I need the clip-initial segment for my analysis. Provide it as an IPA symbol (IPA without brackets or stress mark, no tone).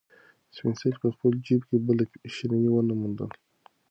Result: s